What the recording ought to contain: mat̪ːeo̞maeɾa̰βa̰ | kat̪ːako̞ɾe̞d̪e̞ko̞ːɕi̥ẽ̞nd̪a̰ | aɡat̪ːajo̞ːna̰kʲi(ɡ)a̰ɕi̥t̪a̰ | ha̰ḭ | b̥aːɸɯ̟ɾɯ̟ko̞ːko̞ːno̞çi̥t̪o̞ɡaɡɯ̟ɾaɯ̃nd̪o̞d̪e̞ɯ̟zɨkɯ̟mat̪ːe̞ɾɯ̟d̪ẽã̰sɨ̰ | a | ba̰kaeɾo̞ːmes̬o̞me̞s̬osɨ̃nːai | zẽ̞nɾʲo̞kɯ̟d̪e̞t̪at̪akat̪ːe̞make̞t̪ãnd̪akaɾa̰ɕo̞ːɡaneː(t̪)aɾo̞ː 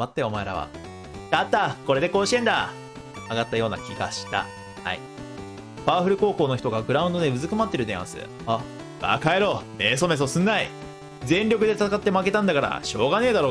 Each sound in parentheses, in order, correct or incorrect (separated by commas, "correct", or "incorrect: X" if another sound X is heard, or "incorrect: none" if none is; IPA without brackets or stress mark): correct, incorrect: d̪